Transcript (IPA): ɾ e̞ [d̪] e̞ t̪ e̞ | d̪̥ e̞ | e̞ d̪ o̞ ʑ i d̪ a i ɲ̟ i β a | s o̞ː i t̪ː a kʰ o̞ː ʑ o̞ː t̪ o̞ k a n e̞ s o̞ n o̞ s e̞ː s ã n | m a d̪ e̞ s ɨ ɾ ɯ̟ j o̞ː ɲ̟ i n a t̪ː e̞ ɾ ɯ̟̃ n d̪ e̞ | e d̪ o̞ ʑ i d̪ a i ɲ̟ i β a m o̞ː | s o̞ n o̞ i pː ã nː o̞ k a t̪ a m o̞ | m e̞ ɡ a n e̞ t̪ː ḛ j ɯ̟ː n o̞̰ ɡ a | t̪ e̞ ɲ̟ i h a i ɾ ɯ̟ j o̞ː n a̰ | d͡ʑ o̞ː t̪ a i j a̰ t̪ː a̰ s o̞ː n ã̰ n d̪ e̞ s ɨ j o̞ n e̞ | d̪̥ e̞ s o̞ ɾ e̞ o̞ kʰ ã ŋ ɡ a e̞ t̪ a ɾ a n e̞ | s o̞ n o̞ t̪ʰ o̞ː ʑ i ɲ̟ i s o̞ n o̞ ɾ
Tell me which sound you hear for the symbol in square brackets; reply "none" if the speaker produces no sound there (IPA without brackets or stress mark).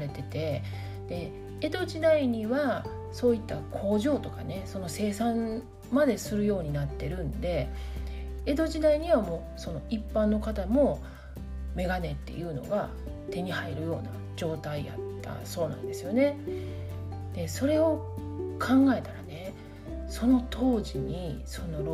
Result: t̪